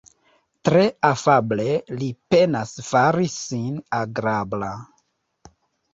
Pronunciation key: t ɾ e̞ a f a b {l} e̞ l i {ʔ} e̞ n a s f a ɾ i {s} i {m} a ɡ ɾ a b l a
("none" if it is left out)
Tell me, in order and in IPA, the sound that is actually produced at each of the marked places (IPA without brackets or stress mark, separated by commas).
l, p, s, n